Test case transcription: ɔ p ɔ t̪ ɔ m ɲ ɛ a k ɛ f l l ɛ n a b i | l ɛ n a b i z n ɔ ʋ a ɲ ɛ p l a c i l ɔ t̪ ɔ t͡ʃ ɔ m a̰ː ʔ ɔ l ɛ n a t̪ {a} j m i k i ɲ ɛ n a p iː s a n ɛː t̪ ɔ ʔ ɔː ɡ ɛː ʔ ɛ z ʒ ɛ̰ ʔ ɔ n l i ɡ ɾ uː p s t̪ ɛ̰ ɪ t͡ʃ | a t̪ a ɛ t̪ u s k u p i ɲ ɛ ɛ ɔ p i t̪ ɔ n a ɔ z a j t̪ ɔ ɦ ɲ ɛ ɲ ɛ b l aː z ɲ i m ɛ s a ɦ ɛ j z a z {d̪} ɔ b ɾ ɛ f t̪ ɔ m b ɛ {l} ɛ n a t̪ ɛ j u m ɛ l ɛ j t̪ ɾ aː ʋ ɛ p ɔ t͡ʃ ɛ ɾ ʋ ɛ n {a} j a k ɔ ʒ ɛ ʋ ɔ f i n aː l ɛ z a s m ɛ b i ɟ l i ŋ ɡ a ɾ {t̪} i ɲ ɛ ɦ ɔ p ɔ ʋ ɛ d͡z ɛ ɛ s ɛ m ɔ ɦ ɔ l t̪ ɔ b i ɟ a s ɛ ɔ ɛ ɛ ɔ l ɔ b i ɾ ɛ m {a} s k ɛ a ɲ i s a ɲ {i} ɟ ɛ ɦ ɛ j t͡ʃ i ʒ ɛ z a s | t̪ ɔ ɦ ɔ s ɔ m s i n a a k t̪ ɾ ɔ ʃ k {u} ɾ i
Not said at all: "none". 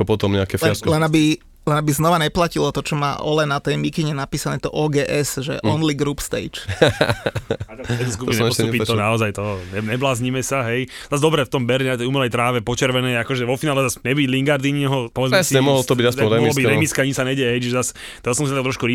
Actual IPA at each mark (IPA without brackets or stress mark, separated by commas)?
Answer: ɛ, d̪, ɾ, ɛ, d̪, i, ɛ, u